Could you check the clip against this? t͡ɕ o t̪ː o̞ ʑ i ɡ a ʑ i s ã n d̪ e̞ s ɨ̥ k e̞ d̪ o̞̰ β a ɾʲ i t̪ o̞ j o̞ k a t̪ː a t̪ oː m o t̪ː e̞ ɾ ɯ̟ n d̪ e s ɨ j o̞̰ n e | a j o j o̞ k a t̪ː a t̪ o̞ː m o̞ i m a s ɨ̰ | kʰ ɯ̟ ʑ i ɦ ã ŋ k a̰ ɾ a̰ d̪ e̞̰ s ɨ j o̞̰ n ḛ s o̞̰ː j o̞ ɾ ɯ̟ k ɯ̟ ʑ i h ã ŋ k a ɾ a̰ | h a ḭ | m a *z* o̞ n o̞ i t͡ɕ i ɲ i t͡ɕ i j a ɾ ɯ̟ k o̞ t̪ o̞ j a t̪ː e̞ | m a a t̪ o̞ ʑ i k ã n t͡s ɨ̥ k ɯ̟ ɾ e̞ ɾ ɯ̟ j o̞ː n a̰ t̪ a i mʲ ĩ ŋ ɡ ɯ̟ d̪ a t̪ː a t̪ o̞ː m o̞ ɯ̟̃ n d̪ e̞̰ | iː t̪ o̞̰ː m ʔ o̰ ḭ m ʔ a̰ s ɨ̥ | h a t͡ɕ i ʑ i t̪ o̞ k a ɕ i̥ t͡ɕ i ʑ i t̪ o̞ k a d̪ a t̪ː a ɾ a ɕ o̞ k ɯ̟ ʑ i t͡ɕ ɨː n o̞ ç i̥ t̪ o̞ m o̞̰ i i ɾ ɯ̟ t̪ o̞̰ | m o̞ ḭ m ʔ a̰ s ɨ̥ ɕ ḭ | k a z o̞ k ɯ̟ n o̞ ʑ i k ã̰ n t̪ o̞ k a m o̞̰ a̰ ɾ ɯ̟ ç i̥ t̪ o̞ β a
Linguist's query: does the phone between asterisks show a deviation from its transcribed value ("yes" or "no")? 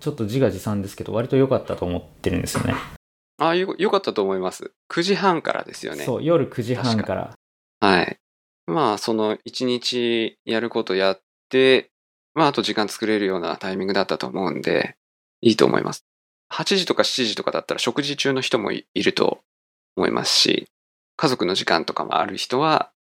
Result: yes